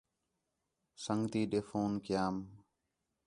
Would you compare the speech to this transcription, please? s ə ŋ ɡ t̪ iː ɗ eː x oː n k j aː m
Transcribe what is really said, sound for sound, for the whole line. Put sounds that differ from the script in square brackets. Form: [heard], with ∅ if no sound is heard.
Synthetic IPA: s ə ŋ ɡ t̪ iː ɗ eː [f] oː n k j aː m